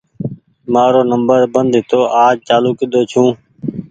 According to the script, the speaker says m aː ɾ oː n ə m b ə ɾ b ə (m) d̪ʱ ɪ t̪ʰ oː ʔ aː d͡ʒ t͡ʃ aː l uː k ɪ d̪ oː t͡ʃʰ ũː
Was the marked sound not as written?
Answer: yes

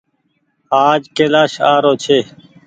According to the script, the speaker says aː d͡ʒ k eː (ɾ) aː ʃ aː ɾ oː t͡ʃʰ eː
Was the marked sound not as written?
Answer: yes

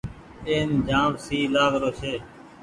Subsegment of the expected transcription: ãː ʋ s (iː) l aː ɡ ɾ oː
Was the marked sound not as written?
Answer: no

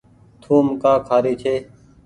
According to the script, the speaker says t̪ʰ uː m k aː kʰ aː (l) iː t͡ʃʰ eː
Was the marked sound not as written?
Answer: yes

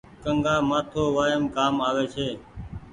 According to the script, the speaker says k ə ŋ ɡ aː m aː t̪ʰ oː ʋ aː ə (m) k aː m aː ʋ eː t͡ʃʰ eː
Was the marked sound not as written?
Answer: no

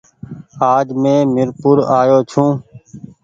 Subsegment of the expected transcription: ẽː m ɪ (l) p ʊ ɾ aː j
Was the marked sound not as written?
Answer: yes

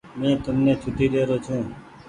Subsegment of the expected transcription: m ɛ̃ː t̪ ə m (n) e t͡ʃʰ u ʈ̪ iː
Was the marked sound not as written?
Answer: no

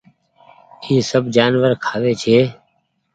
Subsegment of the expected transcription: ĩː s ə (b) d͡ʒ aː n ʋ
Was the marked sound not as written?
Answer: no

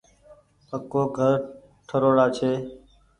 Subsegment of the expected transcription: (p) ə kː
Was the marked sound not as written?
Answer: no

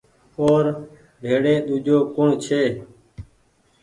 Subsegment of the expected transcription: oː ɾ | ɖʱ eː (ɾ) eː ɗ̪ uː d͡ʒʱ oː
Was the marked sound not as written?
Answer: yes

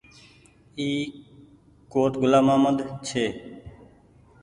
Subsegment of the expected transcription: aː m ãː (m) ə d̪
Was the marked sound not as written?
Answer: no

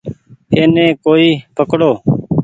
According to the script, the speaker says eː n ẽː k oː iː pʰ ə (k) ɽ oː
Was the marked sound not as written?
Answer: no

